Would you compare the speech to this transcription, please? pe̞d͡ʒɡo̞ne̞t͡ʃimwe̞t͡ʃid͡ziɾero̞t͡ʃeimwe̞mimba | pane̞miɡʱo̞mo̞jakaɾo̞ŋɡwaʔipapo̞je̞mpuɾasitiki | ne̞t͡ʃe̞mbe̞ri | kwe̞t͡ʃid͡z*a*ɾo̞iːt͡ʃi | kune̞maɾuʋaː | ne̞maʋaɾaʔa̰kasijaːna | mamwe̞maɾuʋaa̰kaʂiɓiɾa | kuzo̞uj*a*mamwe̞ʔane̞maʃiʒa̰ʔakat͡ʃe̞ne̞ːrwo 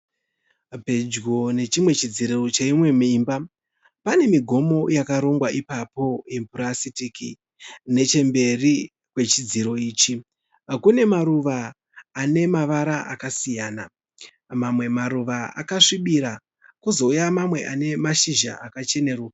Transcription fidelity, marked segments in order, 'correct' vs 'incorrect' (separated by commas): incorrect, correct